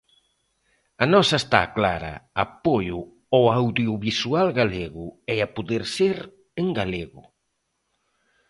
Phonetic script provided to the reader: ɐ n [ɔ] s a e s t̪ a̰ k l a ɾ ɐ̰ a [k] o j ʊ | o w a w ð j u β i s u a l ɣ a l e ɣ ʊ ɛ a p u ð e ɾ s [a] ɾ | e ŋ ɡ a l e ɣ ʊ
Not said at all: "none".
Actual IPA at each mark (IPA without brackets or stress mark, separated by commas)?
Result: ɔ, p, e